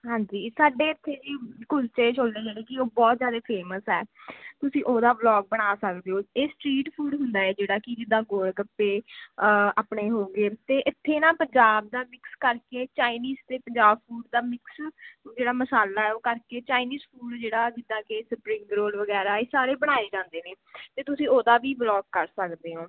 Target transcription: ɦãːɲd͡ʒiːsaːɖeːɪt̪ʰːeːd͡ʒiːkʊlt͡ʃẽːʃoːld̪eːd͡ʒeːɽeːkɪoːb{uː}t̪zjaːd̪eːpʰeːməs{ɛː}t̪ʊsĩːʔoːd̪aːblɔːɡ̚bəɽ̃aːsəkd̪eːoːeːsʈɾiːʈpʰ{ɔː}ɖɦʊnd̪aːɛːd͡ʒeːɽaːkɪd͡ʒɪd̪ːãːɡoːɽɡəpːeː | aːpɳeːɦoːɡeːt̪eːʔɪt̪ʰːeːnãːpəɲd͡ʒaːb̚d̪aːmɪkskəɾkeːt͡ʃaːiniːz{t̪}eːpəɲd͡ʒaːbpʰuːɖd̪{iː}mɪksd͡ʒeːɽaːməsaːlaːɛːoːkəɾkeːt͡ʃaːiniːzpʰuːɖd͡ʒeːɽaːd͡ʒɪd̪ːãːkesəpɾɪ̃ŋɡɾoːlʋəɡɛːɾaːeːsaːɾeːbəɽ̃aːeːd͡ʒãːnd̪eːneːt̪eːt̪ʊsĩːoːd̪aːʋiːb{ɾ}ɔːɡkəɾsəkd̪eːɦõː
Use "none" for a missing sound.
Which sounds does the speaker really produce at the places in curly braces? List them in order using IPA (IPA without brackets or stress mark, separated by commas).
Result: ɔː, ɛː, uː, t̪, aː, l